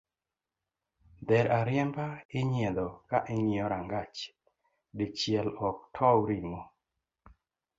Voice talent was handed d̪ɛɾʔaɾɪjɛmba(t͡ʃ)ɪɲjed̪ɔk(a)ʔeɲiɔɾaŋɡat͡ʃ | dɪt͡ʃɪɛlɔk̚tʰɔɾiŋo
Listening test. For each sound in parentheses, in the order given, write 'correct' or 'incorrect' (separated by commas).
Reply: incorrect, correct